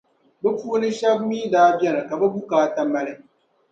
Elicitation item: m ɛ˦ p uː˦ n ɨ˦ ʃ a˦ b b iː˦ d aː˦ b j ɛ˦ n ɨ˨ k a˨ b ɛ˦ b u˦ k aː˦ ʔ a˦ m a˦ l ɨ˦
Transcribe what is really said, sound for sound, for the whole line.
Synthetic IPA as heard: b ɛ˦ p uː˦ n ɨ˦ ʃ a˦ b m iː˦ d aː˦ b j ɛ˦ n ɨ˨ k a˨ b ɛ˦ b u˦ k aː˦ t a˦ m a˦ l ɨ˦